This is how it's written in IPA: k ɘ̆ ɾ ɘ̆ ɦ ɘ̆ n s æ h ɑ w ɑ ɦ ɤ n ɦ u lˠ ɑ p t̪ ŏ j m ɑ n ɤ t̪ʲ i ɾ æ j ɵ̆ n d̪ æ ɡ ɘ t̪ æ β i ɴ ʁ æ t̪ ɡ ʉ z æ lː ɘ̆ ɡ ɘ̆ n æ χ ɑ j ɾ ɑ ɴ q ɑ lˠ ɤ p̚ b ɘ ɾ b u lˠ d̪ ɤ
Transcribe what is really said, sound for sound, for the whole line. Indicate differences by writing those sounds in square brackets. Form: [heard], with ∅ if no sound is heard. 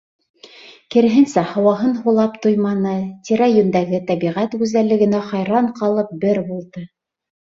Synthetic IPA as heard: k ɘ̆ ɾ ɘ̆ ɦ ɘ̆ n s æ h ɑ w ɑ ɦ ɤ n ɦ u lˠ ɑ p t̪ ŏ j m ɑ n ɤ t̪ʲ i ɾ æ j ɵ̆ n d̪ æ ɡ ɘ t̪ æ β i [∅] ʁ æ t̪ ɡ ʉ z æ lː ɘ̆ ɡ ɘ̆ n æ χ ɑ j ɾ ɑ ɴ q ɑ lˠ ɤ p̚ b ɘ ɾ b u lˠ d̪ ɤ

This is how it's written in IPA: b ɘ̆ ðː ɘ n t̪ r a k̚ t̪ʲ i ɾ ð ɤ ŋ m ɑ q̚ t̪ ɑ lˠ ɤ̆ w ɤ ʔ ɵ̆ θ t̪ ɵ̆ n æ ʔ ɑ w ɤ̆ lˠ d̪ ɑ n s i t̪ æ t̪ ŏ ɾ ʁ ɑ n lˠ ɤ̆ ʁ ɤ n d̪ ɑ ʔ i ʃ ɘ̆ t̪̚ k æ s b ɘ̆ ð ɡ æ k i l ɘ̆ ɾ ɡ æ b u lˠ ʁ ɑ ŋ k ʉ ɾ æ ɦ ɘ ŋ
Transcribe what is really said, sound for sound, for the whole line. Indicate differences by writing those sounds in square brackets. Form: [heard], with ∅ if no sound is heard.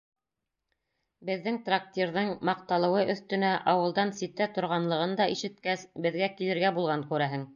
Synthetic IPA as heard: b ɘ̆ ðː ɘ [ŋ] t̪ r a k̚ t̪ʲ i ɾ ð ɤ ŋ m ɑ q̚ t̪ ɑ lˠ ɤ̆ w ɤ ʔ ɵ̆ θ t̪ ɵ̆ n æ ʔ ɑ w ɤ̆ lˠ d̪ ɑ n s i t̪ æ t̪ ŏ ɾ ʁ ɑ n lˠ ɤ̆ ʁ ɤ n d̪ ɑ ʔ i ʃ ɘ̆ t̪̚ k æ s b ɘ̆ ð ɡ æ k i l ɘ̆ ɾ ɡ æ b u lˠ ʁ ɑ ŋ k ʉ ɾ æ ɦ ɘ ŋ

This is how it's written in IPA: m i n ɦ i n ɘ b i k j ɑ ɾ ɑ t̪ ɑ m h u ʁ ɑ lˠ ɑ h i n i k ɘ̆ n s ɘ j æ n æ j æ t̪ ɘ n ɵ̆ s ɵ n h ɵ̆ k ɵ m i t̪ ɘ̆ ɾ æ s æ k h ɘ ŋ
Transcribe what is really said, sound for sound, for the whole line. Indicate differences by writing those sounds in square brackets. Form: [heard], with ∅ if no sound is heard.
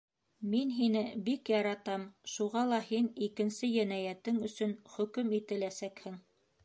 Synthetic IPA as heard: m i n ɦ i n ɘ b i k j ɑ ɾ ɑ t̪ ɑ m [ʃ] u ʁ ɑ lˠ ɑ h i n i k ɘ̆ n s ɘ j æ n æ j æ t̪ ɘ [ŋ] ɵ̆ s ɵ n [χ] ɵ̆ k ɵ m i t̪ ɘ̆ [l] æ s æ k h ɘ ŋ

